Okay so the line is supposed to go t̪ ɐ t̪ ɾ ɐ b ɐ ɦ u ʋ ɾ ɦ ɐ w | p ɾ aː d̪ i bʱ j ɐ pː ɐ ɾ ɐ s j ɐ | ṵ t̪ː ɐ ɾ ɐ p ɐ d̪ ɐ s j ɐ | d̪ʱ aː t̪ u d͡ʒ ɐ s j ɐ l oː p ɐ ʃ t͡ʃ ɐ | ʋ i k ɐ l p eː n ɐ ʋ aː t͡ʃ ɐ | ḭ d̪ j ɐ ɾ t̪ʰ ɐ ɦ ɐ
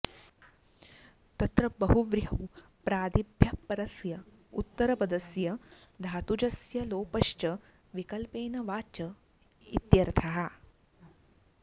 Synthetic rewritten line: t̪ ɐ t̪ ɾ ɐ b ɐ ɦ u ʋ ɾ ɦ ɐ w | p ɾ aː d̪ i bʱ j ɐ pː ɐ ɾ ɐ s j ɐ | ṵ t̪ː ɐ ɾ ɐ p ɐ d̪ ɐ s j ɐ | d̪ʱ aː t̪ u d͡ʒ ɐ s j ɐ l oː p ɐ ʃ t͡ʃ ɐ | ʋ i k ɐ l p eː n ɐ ʋ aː t͡ʃ ɐ | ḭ t̪ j ɐ ɾ t̪ʰ ɐ ɦ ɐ